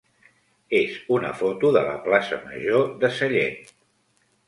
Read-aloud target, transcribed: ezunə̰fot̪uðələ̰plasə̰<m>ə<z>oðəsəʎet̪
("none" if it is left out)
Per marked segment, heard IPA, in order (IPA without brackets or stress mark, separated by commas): m, ʒ